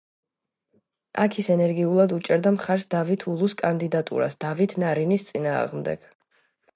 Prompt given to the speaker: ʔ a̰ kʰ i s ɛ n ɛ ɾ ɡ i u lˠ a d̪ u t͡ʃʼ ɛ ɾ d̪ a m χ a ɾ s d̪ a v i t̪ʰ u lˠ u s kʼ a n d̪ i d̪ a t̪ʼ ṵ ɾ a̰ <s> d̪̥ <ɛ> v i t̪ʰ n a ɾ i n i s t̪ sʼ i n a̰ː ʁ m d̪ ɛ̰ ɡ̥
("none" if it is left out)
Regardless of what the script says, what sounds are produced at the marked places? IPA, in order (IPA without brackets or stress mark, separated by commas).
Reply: s, a